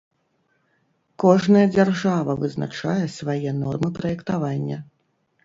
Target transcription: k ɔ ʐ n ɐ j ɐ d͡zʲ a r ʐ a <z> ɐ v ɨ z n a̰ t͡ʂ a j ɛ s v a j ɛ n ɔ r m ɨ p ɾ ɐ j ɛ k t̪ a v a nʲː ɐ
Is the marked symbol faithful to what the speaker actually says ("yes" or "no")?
no